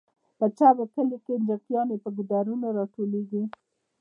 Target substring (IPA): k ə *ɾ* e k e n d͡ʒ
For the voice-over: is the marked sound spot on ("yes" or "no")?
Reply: no